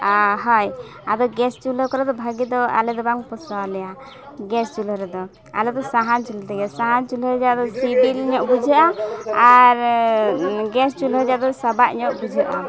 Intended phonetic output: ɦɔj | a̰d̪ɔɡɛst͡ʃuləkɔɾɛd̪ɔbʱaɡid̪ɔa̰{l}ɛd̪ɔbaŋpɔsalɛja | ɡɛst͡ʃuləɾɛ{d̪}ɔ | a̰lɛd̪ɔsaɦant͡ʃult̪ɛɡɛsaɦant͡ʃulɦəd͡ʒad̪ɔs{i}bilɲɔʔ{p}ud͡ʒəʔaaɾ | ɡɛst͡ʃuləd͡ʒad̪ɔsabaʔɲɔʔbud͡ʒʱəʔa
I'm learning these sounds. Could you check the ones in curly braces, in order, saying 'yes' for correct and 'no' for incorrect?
yes, yes, yes, no

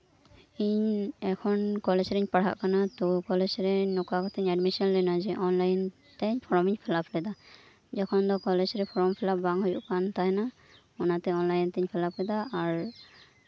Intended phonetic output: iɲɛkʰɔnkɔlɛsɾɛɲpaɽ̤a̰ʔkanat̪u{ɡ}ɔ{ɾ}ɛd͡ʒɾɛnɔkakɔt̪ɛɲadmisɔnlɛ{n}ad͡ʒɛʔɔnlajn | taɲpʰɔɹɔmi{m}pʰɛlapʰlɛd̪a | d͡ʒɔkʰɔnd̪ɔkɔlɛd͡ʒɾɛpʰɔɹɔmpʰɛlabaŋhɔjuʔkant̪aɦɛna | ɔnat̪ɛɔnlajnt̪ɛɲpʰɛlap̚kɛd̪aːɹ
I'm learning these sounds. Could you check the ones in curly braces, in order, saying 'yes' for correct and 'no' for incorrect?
no, no, yes, no

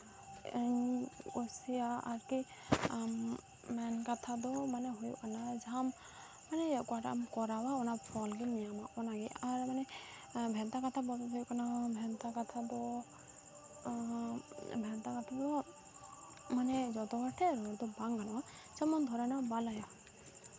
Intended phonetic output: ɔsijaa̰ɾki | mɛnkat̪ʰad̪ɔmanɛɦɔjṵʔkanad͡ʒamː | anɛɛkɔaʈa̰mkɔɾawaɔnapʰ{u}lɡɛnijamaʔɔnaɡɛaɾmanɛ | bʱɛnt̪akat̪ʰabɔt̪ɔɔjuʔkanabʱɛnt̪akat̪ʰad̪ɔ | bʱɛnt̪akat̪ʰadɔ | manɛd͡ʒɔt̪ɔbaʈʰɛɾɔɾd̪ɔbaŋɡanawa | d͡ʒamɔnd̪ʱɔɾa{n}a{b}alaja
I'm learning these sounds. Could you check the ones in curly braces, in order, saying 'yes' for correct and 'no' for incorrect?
no, yes, yes

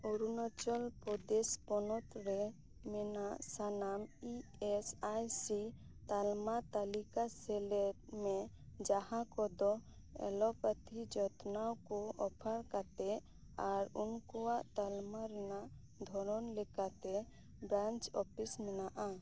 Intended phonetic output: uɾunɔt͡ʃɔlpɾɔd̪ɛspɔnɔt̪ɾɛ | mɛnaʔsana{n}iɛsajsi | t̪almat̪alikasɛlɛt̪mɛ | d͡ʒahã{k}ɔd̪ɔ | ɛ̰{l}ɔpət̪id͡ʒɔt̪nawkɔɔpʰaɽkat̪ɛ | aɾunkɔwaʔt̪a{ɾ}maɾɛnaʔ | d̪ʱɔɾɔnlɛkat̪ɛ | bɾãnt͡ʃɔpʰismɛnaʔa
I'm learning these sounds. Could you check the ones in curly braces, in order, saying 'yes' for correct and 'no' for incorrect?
no, yes, yes, no

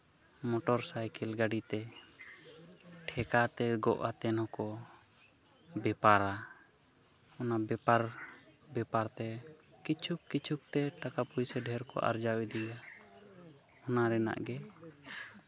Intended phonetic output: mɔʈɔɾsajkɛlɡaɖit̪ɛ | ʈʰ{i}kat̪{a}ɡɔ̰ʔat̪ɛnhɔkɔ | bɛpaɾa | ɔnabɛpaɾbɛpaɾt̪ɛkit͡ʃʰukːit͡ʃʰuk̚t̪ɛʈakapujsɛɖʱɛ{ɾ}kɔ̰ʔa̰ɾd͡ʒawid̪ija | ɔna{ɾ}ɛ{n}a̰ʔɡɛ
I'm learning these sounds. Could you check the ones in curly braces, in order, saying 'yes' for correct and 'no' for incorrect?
no, no, yes, yes, yes

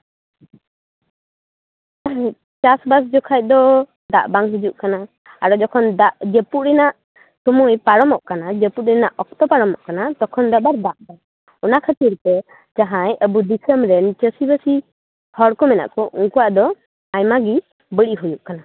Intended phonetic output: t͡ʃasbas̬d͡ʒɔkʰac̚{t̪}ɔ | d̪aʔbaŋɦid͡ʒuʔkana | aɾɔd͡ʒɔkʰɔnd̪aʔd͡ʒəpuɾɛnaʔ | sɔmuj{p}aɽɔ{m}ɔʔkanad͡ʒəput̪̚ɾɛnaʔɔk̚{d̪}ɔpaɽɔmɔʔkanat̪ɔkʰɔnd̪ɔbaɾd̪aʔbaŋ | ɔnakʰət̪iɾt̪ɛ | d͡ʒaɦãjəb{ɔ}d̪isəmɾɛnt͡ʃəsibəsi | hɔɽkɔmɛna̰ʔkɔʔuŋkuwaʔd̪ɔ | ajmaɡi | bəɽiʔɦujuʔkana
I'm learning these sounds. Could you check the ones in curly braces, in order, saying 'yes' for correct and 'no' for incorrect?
no, yes, yes, no, no

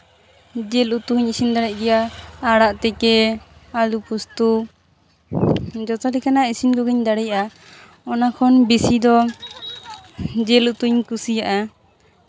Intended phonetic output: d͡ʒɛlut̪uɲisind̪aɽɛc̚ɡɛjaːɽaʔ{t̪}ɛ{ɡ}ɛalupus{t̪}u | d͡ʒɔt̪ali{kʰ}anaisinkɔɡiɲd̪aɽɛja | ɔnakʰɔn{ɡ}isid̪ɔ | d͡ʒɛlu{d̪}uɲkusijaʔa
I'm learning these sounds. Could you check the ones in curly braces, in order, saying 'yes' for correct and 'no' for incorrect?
yes, no, yes, no, no, no

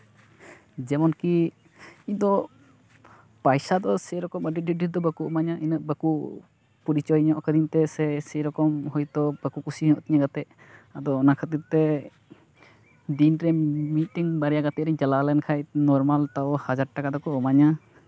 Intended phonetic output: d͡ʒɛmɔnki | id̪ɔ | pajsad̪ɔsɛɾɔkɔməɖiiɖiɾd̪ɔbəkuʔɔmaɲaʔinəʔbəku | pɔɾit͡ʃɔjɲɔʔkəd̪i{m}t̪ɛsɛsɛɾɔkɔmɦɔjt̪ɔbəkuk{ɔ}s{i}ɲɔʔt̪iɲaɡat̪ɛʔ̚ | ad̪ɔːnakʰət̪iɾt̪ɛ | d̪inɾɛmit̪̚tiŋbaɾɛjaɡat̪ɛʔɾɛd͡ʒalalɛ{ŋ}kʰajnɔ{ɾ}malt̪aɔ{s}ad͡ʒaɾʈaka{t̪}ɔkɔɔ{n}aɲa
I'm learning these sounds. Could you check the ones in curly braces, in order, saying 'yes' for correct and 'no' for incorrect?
no, no, yes, no, yes, no, no, no

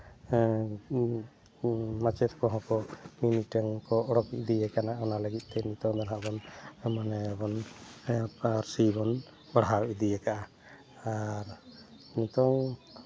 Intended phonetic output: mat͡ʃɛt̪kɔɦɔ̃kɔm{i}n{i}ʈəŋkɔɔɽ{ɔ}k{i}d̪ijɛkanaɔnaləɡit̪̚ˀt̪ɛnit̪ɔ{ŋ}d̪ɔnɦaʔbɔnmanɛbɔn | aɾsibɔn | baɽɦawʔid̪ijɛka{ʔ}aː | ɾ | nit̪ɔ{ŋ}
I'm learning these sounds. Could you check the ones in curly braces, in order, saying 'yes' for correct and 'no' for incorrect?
yes, yes, yes, yes, yes, yes, yes

